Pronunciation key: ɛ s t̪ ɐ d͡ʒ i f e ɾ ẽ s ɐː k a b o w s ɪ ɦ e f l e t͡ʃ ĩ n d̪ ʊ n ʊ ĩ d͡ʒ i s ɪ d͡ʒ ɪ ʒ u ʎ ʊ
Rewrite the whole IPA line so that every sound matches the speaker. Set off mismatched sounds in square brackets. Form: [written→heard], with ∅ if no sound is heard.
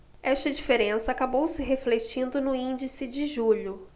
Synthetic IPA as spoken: ɛ [s→ʃ] t̪ ɐ d͡ʒ i f e ɾ ẽ s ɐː k a b o w s ɪ ɦ e f l e t͡ʃ ĩ n d̪ ʊ n ʊ ĩ d͡ʒ i s ɪ d͡ʒ ɪ ʒ u ʎ ʊ